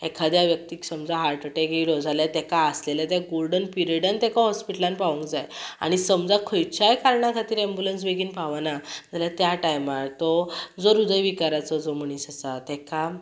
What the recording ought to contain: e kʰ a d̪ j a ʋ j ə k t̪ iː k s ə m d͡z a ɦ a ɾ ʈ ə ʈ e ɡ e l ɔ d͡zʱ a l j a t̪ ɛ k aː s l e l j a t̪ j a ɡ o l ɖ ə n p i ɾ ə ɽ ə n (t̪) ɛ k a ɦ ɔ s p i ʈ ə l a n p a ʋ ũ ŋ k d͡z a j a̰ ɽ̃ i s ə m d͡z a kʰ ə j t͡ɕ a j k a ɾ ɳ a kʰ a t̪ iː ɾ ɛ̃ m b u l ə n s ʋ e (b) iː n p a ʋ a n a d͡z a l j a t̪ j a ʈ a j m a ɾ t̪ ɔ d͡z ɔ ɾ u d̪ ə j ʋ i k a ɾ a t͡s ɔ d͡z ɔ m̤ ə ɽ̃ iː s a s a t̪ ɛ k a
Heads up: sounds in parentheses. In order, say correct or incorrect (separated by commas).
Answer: correct, incorrect